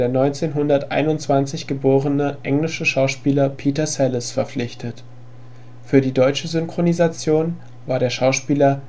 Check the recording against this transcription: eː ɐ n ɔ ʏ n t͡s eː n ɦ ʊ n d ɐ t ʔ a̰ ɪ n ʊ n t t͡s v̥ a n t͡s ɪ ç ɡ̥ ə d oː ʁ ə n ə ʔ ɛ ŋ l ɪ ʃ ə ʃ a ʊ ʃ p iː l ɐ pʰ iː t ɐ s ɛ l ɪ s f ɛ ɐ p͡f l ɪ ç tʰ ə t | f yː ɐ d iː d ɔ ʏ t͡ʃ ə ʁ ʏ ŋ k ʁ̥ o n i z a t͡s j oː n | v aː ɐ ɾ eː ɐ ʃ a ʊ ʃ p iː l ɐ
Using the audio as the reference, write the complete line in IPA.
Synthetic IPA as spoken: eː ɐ n ɔ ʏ n t͡s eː n ɦ ʊ n d ɐ t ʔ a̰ ɪ n ʊ n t t͡s v̥ a n t͡s ɪ ç ɡ̥ ə b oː ʁ ə n ə ʔ ɛ ŋ l ɪ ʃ ə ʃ a ʊ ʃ p iː l ɐ pʰ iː t ɐ s ɛ l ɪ s f ɛ ɐ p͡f l ɪ ç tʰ ə t | f yː ɐ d iː d ɔ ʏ t͡ʃ ə z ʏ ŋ k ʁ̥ o n i z a t͡s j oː n | v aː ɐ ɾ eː ɐ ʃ a ʊ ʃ p iː l ɐ

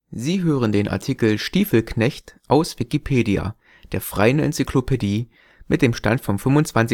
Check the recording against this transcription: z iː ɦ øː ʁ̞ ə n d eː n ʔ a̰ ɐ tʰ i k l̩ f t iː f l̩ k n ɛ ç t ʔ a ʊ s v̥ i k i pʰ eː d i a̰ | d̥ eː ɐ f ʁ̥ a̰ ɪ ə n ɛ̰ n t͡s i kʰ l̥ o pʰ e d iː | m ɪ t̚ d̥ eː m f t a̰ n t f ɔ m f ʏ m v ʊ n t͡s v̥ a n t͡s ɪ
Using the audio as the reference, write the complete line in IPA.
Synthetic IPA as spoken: z iː ɦ øː ʁ̞ ə n d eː n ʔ a̰ ɐ tʰ i k l̩ ʃ t iː f l̩ k n ɛ ç t ʔ a ʊ s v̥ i k i pʰ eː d i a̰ | d̥ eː ɐ f ʁ̥ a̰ ɪ ə n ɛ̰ n t͡s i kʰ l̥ o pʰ e d iː | m ɪ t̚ d̥ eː m ʃ t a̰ n t f ɔ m f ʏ m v ʊ n t͡s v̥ a n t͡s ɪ

